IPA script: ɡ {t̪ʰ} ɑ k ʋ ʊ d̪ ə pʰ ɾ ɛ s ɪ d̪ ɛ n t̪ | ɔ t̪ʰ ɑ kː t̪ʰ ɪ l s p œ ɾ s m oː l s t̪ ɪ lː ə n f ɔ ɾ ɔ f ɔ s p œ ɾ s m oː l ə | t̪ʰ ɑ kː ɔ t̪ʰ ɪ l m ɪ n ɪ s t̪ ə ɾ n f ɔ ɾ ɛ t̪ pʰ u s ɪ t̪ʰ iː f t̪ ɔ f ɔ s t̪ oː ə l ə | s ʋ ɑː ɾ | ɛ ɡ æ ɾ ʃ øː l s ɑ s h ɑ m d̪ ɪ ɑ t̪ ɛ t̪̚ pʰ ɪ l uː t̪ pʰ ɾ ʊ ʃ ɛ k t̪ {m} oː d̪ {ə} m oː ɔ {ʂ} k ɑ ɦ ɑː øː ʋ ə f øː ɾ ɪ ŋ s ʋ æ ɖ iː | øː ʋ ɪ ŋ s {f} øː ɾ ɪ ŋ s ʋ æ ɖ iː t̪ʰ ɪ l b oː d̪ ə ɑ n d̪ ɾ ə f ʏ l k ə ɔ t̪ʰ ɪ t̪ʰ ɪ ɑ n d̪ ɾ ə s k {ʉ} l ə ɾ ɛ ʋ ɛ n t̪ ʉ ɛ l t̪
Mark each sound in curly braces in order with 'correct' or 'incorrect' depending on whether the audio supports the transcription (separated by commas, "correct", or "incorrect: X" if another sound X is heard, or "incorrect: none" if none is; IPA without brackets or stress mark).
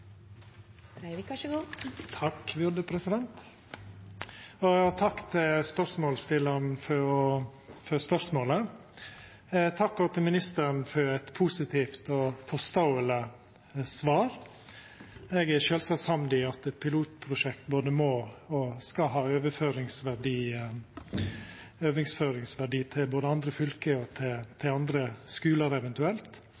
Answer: correct, incorrect: b, correct, incorrect: s, correct, incorrect: ʉː